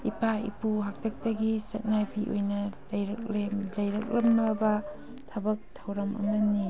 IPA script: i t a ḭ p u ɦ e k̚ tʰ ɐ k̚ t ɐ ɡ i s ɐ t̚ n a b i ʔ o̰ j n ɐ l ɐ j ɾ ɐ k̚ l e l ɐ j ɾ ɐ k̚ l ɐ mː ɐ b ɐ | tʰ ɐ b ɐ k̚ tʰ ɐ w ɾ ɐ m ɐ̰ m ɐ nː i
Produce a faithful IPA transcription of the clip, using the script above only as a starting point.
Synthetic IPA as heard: i p a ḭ p u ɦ a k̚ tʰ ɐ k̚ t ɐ ɡ i s ɐ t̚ n a b i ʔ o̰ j n ɐ l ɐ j ɾ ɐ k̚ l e l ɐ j ɾ ɐ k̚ l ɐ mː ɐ b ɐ | tʰ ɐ b ɐ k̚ tʰ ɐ w ɾ ɐ m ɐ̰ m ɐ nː i